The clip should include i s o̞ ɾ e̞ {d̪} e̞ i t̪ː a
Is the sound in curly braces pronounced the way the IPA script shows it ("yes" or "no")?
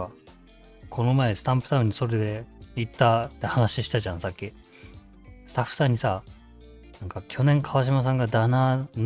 yes